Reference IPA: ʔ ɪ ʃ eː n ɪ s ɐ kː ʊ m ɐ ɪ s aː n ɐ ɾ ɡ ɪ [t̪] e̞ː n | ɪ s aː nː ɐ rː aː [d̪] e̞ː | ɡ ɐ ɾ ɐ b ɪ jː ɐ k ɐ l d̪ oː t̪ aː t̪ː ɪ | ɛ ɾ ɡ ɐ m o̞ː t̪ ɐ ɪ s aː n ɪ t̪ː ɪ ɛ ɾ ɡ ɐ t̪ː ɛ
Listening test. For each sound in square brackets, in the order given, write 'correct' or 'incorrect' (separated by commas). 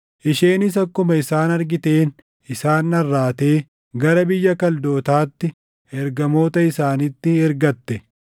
correct, incorrect